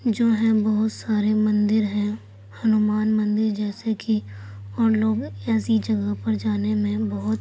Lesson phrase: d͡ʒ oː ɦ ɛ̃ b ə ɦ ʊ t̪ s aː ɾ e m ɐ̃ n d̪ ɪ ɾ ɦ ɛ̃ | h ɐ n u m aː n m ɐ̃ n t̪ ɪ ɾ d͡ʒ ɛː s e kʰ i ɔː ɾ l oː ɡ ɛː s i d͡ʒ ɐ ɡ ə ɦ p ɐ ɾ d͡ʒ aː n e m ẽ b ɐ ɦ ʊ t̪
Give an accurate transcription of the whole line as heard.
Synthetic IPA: d͡ʒ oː ɦ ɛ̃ b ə ɦ ʊ t̪ s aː ɾ e m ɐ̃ n d̪ ɪ ɾ ɦ ɛ̃ | h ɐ n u m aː n m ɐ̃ n d̪ ɪ ɾ d͡ʒ ɛː s e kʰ i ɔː ɾ l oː ɡ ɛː s i d͡ʒ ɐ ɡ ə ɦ p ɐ ɾ d͡ʒ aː n e m ẽ b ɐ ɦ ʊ t̪